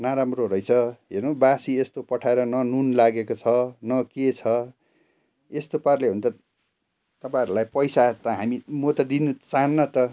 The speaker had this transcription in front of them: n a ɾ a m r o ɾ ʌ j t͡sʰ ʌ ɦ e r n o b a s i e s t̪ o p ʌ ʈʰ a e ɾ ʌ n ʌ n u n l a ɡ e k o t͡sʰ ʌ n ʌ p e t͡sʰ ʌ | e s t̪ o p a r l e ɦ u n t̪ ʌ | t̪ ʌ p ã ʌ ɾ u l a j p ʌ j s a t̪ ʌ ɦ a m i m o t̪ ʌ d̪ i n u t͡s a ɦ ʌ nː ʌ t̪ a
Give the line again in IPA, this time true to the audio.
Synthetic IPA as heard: n a ɾ a m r o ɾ ʌ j t͡sʰ ʌ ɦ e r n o b a s i e s t̪ o p ʌ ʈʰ a e ɾ ʌ n ʌ n u n l a ɡ e k o t͡sʰ ʌ n ʌ k e t͡sʰ ʌ | e s t̪ o p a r l e ɦ u n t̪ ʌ | t̪ ʌ p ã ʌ ɾ u l a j p ʌ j s a t̪ ʌ ɦ a m i m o t̪ ʌ d̪ i n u t͡s a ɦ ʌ nː ʌ t̪ ʌ

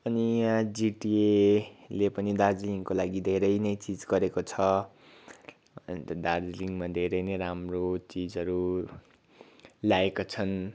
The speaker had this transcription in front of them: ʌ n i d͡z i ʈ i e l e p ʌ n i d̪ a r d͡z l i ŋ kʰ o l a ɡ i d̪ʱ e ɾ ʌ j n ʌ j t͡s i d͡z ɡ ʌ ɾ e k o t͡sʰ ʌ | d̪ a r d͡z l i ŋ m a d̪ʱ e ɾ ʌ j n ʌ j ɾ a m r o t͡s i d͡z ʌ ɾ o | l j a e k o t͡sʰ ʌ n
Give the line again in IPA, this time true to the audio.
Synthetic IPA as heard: ʌ n i d͡z i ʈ i e l e p ʌ n i d̪ a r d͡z l i ŋ k o l a ɡ i d̪ʱ e ɾ ʌ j n ʌ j t͡s i d͡z ɡ ʌ ɾ e k o t͡sʰ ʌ | d̪ a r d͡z l i ŋ m a d̪ʱ e ɾ ʌ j n ʌ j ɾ a m r o t͡s i d͡z ʌ ɾ u | l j a e k o t͡sʰ ʌ n

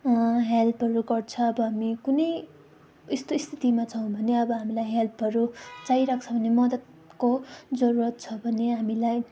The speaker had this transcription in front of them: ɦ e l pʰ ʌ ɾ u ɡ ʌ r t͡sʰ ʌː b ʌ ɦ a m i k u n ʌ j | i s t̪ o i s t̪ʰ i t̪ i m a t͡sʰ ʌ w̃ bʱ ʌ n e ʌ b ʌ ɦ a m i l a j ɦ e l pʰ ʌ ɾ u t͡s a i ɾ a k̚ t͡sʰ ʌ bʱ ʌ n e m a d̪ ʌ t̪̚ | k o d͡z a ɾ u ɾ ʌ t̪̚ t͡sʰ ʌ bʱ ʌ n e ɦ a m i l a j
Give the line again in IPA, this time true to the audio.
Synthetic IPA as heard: ɦ e l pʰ ʌ ɾ u ɡ ʌ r t͡sʰ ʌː b ʌ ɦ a m i k u n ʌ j | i s t̪ o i s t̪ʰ i t̪ i m a t͡sʰ ʌ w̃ bʱ ʌ n e ʌ b ʌ ɦ a m i l a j ɦ e l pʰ ʌ ɾ u t͡s a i ɾ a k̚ t͡sʰ ʌ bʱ ʌ n e m ʌ d̪ ʌ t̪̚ | k o d͡z ʌ ɾ u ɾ ʌ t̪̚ t͡sʰ ʌ bʱ ʌ n e ɦ a m i l a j

